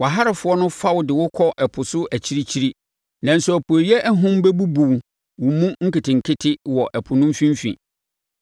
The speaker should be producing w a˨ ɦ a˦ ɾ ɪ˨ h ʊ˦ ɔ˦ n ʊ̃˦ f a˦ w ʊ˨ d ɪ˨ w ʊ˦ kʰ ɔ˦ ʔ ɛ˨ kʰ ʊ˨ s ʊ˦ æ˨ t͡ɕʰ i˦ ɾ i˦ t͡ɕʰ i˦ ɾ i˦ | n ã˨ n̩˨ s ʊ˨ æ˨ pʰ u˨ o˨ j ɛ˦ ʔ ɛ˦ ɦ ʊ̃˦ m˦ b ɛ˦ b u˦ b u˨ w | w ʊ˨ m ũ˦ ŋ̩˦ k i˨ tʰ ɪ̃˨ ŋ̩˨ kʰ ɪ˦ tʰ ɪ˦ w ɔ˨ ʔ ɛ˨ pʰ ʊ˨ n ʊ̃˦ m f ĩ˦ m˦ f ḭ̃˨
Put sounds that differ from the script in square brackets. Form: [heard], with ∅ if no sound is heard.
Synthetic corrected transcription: w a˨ ɦ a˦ ɾ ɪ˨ [f] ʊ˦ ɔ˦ n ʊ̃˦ f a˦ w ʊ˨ d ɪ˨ w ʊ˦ kʰ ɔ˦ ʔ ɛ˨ [pʰ] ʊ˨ s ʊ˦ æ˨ t͡ɕʰ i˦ ɾ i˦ t͡ɕʰ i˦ ɾ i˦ | n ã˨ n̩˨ s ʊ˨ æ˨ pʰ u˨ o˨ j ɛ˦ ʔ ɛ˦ ɦ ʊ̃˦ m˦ b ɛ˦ b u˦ b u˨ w | w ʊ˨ m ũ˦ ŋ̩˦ k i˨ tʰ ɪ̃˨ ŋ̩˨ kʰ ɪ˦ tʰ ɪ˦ w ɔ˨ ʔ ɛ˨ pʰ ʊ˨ n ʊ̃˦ m f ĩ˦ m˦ f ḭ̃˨

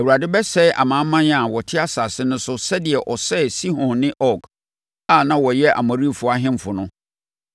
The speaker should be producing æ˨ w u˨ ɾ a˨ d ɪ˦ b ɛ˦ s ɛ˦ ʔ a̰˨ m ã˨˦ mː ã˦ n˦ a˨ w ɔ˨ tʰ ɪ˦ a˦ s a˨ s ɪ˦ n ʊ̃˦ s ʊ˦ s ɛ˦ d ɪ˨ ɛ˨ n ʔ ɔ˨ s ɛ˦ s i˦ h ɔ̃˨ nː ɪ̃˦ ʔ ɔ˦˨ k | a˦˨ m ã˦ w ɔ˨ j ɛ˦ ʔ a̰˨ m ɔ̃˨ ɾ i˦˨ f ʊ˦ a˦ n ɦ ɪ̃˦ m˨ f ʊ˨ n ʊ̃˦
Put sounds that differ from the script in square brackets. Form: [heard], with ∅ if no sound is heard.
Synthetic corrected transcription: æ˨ w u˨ ɾ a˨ d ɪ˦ b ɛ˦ s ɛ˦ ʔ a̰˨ m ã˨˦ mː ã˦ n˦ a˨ w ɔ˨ tʰ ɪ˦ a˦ s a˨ s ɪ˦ n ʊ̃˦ s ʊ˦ s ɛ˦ d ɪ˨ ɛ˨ [∅] ʔ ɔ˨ s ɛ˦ s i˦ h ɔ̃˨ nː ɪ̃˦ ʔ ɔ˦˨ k | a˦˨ [n] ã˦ w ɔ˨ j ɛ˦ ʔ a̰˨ m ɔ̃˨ ɾ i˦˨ f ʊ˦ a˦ [∅] ɦ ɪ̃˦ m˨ f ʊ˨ n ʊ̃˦

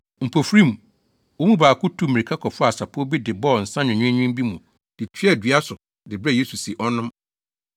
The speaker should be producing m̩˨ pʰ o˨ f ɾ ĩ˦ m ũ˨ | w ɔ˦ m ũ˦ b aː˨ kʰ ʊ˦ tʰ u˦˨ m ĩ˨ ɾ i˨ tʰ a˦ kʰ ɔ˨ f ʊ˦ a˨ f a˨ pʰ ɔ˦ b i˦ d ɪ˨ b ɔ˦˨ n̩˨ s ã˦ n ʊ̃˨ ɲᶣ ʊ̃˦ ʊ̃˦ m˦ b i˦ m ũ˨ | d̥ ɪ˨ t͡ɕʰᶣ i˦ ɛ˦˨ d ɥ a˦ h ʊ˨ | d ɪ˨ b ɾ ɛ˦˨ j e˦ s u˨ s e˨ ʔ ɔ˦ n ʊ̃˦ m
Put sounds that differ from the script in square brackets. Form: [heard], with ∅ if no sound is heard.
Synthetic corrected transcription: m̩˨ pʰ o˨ f ɾ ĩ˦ m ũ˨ | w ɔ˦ m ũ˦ b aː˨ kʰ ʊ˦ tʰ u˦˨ m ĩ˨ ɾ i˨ [kʰ] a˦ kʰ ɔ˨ f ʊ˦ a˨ [s] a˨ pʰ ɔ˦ b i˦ d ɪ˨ b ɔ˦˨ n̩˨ s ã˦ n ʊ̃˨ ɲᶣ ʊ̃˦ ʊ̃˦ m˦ b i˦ m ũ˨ | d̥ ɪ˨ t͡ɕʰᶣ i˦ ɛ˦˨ d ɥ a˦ [s] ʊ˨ | d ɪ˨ b ɾ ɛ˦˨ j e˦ s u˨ s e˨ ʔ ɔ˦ n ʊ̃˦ m

